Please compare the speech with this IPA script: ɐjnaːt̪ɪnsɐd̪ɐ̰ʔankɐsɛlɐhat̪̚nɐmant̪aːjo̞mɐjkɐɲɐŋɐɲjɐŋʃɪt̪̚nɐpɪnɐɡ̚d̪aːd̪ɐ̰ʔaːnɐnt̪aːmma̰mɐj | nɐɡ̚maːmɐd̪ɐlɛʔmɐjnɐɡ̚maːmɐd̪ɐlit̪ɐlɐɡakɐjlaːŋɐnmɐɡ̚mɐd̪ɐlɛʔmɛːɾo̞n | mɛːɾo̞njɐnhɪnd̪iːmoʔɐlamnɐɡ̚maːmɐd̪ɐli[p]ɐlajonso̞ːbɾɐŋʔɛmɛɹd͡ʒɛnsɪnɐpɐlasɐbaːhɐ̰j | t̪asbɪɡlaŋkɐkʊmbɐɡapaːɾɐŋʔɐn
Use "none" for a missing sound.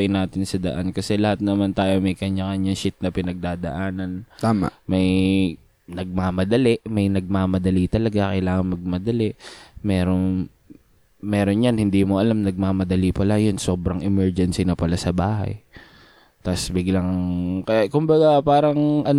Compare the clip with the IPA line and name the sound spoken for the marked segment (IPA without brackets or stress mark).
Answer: p